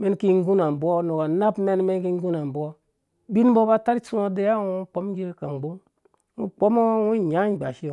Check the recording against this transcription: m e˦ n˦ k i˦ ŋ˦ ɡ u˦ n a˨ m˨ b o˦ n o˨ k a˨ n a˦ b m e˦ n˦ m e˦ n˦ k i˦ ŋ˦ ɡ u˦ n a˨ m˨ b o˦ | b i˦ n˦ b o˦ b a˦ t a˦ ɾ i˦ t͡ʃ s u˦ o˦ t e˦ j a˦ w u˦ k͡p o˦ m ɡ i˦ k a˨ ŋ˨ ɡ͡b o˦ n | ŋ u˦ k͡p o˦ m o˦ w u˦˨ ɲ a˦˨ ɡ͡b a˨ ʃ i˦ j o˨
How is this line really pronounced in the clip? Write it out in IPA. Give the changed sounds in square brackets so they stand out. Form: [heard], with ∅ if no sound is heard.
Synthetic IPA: m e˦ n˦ k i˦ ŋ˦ ɡ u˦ n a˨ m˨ b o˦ n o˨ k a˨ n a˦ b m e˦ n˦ m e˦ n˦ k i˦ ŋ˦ ɡ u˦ n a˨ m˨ b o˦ | b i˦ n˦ b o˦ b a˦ t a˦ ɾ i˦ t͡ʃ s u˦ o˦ [d] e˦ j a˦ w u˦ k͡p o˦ m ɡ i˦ k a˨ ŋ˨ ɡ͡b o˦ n | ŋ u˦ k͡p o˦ m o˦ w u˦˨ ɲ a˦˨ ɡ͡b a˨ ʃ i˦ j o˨

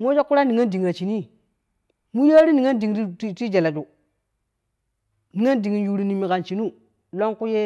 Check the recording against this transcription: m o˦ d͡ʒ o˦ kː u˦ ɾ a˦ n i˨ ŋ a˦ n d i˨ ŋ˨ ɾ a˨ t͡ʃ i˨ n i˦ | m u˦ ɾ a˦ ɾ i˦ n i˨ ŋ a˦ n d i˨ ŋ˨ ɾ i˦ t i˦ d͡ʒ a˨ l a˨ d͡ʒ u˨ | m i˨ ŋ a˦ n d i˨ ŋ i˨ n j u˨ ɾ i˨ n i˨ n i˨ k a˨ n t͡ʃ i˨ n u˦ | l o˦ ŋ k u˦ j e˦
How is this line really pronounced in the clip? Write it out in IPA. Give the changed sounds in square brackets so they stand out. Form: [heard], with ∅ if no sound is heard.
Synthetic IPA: m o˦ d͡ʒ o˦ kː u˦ ɾ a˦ n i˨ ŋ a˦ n d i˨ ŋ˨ ɾ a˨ t͡ʃ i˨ n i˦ | m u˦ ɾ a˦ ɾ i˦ n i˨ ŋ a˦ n d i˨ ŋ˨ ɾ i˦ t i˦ d͡ʒ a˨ l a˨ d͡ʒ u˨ | [n] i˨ ŋ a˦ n d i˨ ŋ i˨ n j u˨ ɾ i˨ n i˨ [m] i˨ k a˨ n t͡ʃ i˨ n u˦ | l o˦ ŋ k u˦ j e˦

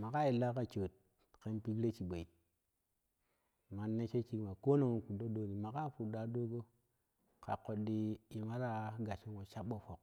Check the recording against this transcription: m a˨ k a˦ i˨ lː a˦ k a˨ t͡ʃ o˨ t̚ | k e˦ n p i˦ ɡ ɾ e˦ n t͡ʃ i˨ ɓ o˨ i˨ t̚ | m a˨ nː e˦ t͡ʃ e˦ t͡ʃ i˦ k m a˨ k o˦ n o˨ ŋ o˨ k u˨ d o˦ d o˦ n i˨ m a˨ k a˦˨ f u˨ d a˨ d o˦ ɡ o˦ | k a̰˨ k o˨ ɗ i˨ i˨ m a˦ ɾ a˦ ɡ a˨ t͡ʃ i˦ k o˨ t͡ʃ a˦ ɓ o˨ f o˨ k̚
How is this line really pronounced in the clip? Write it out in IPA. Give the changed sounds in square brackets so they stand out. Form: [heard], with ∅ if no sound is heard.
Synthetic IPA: m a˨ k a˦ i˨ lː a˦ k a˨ t͡ʃ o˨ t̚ | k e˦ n p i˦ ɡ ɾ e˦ [∅] t͡ʃ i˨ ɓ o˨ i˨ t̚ | m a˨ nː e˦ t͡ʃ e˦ t͡ʃ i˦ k m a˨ k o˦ n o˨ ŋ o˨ k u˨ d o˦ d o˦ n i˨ m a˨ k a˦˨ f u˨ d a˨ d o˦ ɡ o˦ | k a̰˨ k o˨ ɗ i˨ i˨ m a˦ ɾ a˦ ɡ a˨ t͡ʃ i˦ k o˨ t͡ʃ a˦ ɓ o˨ f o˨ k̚

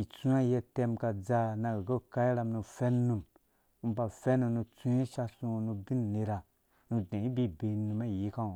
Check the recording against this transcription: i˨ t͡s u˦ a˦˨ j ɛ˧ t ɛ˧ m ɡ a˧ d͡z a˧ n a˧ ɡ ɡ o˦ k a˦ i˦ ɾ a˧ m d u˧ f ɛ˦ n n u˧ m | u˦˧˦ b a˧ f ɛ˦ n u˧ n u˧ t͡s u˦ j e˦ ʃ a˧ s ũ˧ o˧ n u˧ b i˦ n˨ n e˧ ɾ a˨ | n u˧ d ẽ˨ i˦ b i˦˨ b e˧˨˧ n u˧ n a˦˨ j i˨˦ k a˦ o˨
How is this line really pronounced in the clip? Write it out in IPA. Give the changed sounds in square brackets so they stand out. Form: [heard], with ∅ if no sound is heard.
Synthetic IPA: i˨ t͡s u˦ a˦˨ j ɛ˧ t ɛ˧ m [k] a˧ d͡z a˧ n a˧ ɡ ɡ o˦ k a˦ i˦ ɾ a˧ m [n] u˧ f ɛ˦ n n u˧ m | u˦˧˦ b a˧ f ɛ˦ n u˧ n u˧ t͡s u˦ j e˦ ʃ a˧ s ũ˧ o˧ n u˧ b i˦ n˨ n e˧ ɾ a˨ | n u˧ d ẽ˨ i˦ b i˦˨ b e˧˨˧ n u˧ [m] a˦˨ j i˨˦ k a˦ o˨

